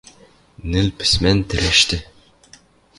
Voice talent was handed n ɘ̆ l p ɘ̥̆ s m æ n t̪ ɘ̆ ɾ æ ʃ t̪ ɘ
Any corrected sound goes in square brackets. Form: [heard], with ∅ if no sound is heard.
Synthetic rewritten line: n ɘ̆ l p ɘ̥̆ s m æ n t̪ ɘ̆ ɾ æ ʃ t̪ ɘ